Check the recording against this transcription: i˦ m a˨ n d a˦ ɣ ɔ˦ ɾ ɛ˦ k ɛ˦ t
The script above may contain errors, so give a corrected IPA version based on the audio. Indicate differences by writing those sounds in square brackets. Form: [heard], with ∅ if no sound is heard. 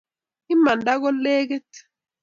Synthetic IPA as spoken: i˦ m a˨ n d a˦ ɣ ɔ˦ [l] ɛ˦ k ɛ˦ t